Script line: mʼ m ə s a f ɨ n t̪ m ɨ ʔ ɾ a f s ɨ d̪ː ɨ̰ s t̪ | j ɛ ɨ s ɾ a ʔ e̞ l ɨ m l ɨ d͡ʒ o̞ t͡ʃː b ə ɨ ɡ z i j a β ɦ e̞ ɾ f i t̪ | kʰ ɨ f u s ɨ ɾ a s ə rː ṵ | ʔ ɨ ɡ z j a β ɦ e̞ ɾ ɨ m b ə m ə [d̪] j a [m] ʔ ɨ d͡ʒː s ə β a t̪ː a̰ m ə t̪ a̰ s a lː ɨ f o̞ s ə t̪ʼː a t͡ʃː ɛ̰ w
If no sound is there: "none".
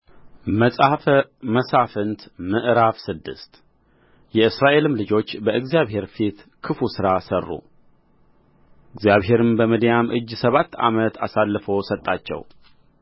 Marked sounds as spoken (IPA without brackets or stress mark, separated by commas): d̪, m